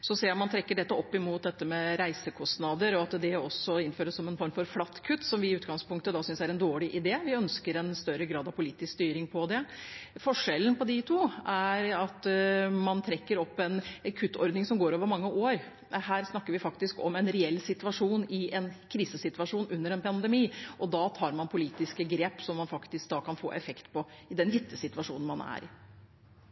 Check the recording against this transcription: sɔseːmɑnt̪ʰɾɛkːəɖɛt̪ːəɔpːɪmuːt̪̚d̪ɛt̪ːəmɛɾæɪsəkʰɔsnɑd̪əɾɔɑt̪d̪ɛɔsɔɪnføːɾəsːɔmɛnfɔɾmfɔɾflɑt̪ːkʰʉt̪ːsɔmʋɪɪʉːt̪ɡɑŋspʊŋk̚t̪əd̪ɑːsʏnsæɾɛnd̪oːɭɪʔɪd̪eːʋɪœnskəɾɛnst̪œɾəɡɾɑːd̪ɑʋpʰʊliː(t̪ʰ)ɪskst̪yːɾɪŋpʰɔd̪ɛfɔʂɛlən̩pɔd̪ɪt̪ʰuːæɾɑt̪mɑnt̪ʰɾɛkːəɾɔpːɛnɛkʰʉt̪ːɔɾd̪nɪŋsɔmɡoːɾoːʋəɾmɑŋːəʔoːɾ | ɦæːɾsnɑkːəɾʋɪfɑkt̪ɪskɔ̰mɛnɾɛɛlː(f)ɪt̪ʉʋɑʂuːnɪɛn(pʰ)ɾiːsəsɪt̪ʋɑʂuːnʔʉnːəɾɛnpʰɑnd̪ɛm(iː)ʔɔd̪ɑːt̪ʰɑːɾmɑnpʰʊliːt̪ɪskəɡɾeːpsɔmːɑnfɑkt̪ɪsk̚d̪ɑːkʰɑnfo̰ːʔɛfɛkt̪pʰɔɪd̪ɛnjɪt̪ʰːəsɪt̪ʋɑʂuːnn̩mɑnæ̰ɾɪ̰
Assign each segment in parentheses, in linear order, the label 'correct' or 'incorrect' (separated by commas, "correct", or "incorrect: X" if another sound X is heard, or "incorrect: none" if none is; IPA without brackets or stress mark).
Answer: incorrect: t̪, incorrect: s, incorrect: kʰ, correct